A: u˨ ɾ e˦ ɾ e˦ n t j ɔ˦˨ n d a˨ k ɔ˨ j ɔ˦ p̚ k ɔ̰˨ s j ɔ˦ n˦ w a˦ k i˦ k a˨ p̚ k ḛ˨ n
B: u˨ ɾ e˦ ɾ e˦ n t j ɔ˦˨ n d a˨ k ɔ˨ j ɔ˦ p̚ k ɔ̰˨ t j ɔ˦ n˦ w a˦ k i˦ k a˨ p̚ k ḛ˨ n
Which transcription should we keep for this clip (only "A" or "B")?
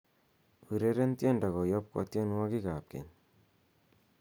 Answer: B